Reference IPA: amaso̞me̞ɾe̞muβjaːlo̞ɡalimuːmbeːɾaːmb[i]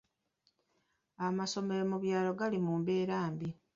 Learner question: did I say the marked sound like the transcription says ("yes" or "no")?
yes